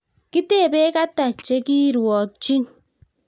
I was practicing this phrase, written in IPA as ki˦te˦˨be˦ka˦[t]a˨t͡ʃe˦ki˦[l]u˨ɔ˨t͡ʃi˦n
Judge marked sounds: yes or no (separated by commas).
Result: yes, no